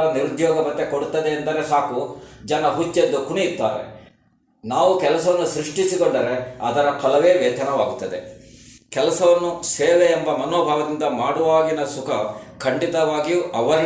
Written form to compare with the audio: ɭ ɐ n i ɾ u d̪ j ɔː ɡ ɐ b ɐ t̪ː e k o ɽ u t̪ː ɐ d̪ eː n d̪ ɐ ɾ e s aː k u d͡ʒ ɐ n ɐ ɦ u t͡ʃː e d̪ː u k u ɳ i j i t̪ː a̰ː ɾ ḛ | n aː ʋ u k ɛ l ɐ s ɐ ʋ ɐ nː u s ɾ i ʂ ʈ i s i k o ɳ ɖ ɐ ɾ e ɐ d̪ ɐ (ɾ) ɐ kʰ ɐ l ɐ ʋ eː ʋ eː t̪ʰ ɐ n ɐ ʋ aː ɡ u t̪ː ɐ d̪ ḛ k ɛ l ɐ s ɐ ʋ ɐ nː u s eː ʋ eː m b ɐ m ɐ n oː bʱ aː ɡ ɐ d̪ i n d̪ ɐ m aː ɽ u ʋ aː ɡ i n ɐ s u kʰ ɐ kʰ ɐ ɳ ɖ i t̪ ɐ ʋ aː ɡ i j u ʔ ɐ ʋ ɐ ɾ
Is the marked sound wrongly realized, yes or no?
no